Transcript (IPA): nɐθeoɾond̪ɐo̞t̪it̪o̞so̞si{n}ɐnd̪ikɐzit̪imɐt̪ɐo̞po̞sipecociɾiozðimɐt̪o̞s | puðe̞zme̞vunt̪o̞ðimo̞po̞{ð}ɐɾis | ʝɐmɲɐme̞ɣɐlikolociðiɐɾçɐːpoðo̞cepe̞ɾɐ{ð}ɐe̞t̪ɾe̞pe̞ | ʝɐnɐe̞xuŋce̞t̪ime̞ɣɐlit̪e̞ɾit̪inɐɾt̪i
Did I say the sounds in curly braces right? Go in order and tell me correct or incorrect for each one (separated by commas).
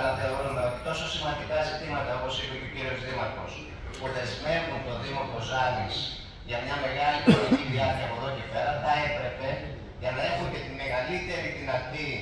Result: incorrect, incorrect, incorrect